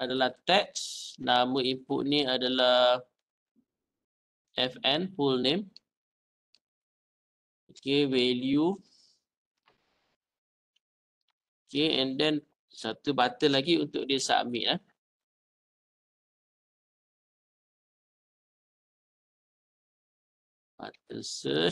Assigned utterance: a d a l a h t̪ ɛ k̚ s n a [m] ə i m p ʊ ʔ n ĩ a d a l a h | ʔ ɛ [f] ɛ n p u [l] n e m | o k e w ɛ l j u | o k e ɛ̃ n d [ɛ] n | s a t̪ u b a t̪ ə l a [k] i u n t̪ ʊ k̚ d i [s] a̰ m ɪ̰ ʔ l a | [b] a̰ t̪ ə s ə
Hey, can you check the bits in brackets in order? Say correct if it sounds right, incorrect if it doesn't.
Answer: correct, correct, correct, correct, incorrect, correct, correct

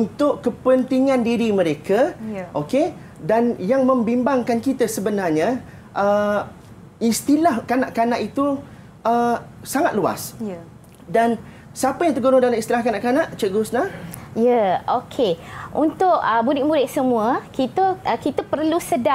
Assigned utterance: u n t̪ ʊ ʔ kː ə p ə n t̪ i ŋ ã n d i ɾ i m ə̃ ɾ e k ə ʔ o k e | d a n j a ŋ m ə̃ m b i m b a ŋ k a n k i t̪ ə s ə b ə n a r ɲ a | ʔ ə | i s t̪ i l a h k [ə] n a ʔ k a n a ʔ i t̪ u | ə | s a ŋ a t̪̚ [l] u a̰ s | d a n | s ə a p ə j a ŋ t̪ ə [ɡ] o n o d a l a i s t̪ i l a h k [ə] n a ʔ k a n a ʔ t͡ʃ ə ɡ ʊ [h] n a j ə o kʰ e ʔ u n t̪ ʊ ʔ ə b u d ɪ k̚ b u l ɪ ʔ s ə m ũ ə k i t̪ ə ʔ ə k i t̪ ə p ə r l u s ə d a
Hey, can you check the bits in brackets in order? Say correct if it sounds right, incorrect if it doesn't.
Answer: incorrect, correct, correct, incorrect, incorrect

